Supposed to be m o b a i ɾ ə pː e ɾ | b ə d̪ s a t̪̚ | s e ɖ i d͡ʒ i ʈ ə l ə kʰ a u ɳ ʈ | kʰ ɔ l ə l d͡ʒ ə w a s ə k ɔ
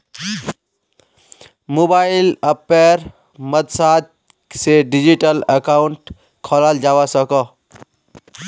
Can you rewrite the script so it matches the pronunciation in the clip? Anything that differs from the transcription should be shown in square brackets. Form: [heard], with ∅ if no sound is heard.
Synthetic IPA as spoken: m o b a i [l] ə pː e ɾ | [m] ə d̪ s a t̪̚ | s e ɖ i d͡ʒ i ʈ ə l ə [k] a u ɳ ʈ | kʰ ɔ l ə l d͡ʒ [a] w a s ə k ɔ